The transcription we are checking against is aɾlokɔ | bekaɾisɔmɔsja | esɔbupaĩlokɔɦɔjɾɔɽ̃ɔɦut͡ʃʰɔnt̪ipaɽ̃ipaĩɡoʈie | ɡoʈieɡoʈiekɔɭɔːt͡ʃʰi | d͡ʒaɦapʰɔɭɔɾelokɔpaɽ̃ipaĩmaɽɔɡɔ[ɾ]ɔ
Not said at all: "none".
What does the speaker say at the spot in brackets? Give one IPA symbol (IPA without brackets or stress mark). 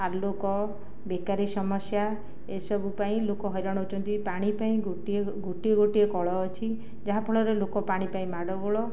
ɭ